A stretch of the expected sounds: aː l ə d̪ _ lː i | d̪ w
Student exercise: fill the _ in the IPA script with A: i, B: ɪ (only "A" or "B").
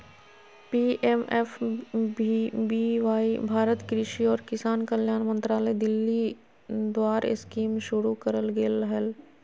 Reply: B